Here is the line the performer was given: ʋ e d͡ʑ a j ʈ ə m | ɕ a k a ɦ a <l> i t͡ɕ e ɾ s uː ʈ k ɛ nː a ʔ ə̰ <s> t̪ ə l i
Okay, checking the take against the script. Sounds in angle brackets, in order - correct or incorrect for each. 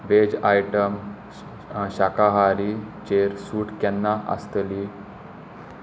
incorrect: ɾ, correct

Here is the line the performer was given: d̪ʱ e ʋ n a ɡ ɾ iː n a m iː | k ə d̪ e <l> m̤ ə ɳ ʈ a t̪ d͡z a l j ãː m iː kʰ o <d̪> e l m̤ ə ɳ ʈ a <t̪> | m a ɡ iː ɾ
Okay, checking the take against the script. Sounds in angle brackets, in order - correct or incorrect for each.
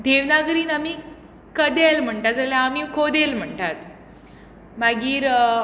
correct, correct, correct

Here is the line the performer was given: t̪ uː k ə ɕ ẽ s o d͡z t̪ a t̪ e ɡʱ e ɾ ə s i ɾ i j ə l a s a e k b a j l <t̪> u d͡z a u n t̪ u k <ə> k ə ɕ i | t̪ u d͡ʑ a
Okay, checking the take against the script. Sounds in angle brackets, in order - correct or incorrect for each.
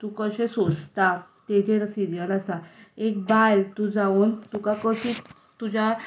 correct, incorrect: a

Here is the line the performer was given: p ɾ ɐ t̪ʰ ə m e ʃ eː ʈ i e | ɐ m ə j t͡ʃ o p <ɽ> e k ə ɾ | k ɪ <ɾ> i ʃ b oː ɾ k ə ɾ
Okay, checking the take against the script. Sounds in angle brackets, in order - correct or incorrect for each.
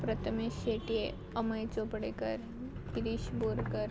correct, correct

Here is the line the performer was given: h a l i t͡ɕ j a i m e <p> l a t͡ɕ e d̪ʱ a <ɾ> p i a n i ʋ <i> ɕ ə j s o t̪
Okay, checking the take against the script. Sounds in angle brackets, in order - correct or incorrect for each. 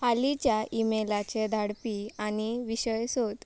incorrect: none, incorrect: ɽ, correct

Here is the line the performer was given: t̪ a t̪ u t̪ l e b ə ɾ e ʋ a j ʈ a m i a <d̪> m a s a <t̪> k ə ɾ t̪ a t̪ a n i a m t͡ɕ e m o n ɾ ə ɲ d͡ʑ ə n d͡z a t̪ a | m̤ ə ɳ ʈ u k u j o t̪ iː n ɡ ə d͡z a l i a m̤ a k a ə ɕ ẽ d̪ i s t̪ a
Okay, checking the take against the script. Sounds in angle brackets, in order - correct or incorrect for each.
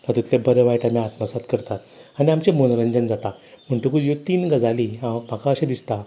incorrect: t̪, correct

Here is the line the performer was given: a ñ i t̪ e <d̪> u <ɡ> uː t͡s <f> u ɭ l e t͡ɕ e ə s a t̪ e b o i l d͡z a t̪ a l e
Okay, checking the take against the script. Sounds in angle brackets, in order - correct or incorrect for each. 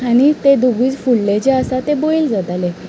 correct, correct, correct

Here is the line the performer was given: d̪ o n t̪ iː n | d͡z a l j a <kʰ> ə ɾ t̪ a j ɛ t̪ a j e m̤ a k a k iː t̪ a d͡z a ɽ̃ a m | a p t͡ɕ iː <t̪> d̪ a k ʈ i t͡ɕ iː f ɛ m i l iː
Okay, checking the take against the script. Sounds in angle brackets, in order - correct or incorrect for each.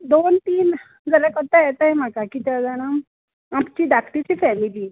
incorrect: k, incorrect: none

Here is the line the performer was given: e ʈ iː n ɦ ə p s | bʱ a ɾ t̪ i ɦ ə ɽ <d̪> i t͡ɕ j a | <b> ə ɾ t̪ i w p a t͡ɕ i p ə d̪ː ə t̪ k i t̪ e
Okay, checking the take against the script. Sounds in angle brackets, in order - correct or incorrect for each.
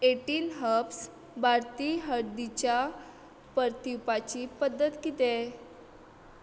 correct, incorrect: p

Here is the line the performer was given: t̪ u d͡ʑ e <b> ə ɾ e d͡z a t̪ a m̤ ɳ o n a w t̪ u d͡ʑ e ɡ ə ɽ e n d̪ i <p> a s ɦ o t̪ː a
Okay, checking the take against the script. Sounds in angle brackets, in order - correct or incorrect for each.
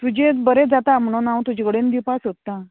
correct, correct

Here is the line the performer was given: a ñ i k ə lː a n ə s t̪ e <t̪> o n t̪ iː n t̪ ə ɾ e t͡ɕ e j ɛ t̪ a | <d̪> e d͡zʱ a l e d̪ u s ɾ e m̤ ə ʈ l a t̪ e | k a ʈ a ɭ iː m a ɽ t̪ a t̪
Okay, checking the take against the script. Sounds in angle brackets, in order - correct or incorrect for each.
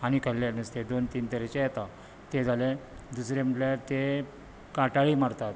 incorrect: d̪, incorrect: t̪

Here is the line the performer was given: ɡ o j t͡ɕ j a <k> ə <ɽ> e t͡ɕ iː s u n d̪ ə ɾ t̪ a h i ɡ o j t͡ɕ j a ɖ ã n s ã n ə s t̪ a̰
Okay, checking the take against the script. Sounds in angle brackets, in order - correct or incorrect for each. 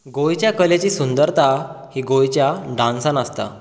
correct, incorrect: l

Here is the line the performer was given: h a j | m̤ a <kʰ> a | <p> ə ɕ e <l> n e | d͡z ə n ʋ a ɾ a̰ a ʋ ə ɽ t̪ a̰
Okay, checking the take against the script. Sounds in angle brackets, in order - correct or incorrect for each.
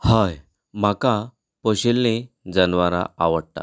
incorrect: k, correct, correct

